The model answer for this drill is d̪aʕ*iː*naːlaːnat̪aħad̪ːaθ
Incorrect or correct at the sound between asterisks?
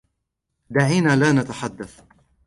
correct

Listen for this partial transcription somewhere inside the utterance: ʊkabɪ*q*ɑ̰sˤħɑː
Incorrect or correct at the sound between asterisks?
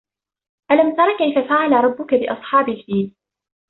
incorrect: ʔ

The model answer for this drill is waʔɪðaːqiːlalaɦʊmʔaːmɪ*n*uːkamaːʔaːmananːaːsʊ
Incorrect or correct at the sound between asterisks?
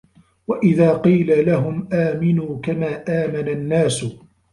correct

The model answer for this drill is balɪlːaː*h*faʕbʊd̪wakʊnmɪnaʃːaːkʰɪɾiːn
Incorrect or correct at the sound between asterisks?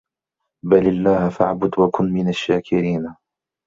correct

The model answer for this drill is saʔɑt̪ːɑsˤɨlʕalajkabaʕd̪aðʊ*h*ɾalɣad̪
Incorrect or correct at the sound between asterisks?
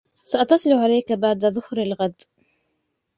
correct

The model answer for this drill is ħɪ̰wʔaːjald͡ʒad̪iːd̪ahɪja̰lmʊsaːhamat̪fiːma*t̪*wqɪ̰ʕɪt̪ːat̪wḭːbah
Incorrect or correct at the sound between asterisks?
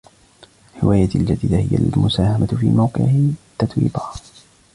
incorrect: none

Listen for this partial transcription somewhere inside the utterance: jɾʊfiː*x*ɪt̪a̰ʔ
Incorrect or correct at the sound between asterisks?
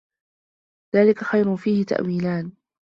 incorrect: h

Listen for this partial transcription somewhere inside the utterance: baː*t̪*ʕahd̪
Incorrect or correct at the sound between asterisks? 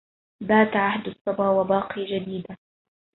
correct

